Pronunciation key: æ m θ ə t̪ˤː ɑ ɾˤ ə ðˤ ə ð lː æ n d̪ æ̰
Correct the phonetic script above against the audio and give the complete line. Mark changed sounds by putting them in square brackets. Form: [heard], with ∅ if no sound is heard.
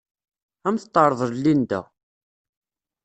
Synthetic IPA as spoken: æ m θ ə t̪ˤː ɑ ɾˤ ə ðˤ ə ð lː [i] n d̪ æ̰